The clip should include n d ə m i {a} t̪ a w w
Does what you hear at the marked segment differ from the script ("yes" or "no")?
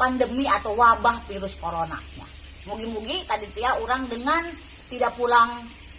no